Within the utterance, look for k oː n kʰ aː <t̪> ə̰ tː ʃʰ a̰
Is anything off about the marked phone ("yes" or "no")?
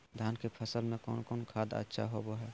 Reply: yes